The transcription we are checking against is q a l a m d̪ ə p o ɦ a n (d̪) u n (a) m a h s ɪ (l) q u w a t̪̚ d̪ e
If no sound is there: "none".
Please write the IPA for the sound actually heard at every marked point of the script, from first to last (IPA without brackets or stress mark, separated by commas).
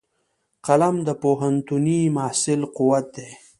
t̪, i, l